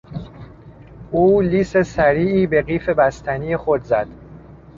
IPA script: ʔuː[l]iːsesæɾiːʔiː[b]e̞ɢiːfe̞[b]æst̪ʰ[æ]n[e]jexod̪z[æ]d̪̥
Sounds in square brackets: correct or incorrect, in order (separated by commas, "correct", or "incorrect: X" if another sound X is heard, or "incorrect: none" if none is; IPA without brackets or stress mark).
correct, correct, correct, correct, incorrect: i, correct